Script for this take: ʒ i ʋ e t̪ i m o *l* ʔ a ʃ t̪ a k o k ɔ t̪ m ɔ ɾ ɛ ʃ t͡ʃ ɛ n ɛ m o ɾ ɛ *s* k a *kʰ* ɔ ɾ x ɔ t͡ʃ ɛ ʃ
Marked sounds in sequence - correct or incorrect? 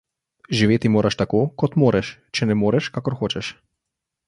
incorrect: ɾ, incorrect: ʃ, incorrect: k

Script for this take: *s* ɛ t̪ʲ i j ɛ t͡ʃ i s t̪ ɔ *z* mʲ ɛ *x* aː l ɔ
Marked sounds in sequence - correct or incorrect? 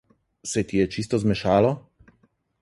correct, correct, incorrect: ʃ

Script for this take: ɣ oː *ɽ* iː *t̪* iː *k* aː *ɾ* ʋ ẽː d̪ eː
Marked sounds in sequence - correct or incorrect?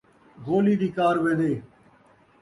incorrect: l, incorrect: d̪, correct, correct

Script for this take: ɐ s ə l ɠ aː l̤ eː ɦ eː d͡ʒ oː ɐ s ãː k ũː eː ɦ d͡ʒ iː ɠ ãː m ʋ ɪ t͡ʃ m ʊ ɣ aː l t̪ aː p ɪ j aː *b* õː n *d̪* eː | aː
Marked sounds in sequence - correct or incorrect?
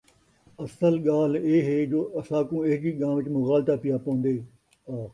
incorrect: p, correct

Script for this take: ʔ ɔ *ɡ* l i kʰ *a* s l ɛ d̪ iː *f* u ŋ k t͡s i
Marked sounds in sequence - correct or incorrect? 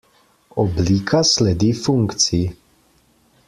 incorrect: b, correct, correct

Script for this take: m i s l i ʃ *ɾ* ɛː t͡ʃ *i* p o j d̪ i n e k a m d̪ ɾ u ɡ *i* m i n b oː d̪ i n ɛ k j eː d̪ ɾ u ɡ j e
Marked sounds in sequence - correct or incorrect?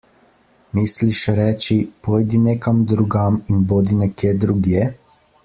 correct, correct, incorrect: a

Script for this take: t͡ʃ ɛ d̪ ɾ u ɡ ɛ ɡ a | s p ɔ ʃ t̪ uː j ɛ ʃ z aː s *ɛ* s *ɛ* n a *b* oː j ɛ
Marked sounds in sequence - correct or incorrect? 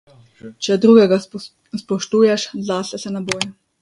correct, correct, correct

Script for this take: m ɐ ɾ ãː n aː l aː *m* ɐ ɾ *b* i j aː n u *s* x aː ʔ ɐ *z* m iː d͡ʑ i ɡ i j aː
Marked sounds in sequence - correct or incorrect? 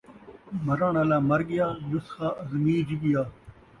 correct, incorrect: ɡ, correct, correct

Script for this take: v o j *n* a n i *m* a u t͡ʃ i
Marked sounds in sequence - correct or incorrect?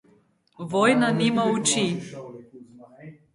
correct, correct

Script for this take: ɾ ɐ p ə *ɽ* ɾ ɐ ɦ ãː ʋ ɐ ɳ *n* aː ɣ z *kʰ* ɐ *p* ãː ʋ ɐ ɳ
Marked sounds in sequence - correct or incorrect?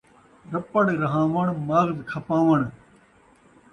correct, incorrect: m, correct, correct

